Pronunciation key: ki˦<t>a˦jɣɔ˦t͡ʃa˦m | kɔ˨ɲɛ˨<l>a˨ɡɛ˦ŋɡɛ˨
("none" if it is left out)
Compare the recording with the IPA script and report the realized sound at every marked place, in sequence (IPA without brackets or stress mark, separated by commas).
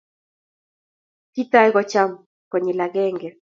t, l